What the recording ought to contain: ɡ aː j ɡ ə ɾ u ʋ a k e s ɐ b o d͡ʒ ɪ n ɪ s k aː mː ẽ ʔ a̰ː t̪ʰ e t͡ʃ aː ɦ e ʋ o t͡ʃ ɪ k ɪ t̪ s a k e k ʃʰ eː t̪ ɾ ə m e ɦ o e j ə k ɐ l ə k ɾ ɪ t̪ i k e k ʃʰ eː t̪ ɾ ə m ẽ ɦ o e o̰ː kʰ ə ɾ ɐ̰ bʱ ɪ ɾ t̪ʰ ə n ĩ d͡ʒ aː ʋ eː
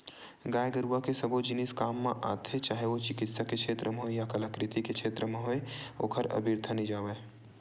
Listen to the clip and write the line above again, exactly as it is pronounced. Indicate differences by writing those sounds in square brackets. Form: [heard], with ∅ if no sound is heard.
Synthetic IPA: ɡ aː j ɡ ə ɾ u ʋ a k e s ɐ b o d͡ʒ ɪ n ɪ s k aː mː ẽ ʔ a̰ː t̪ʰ e t͡ʃ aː ɦ e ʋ o t͡ʃ ɪ k ɪ t̪ s a k e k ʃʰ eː t̪ ɾ ə m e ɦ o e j [a] k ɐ l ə k ɾ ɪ t̪ i k e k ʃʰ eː t̪ ɾ ə m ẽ ɦ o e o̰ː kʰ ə ɾ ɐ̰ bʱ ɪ ɾ t̪ʰ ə n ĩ d͡ʒ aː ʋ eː